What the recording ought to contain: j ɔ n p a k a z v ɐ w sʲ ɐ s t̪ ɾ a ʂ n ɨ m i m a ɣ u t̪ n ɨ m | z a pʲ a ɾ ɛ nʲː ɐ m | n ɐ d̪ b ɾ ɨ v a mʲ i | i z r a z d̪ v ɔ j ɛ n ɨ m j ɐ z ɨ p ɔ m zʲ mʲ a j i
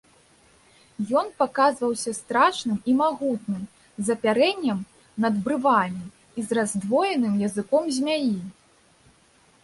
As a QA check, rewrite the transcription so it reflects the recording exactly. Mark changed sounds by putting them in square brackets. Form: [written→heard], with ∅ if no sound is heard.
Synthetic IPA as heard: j ɔ n p a k a z v ɐ w sʲ ɐ s t̪ ɾ a ʂ n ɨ m i m a ɣ u t̪ n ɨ m | z [a→ɐ] pʲ a ɾ ɛ nʲː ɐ m | n ɐ d̪ b ɾ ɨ v a mʲ i | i z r a z d̪ v ɔ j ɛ n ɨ m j ɐ z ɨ [p→k] ɔ m zʲ mʲ a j i